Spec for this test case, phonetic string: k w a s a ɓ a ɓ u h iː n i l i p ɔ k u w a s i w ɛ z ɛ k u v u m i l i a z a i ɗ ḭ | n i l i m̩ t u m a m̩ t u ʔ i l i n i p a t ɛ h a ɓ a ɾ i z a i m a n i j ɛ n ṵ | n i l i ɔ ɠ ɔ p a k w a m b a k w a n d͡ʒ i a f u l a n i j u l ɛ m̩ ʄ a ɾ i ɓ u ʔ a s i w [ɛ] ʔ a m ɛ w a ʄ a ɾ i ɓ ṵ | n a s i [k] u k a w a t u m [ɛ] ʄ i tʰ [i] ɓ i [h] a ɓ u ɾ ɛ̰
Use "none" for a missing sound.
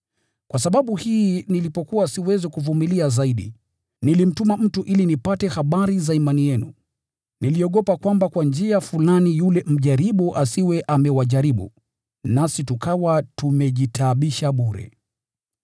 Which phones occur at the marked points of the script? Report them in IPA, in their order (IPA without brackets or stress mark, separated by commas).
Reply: ɛ, t, ɛ, a, ʃ